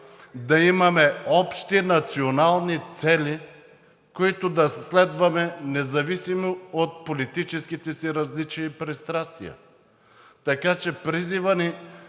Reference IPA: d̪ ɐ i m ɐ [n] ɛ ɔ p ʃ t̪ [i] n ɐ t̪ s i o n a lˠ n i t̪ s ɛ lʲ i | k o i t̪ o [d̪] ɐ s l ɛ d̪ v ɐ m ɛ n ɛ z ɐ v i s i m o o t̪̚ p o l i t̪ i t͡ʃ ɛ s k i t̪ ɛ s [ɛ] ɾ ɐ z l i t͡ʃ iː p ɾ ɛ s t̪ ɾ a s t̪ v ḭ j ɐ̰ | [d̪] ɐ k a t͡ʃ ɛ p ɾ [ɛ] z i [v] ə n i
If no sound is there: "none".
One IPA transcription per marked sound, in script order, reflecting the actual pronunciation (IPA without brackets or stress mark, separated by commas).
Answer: m, i, d̪, i, t̪, i, v